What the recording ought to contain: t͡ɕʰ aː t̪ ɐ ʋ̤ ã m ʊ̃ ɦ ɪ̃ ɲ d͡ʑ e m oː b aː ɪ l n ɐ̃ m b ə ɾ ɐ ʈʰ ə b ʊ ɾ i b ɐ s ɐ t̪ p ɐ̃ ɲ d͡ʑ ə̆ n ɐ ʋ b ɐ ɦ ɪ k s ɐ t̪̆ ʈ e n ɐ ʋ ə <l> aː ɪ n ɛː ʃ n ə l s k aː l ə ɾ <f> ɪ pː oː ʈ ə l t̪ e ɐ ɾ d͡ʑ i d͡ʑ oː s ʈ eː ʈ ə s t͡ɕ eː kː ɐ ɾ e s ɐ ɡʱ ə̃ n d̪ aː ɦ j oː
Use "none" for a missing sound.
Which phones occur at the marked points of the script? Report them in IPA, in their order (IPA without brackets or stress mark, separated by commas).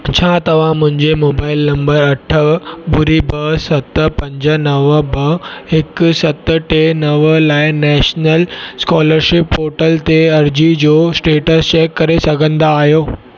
l, ʃ